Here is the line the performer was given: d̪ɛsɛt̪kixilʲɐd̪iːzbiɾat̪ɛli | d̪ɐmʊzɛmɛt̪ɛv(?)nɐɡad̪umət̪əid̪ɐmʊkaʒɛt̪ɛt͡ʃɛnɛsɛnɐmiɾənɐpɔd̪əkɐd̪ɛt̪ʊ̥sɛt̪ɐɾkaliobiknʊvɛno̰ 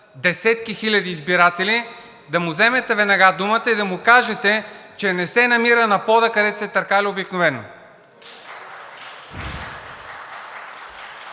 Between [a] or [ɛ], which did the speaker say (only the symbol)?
ɛ